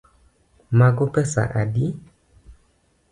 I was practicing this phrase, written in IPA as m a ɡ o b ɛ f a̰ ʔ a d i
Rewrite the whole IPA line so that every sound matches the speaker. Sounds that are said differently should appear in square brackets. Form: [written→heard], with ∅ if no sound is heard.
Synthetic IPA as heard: m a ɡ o [b→p] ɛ [f→s] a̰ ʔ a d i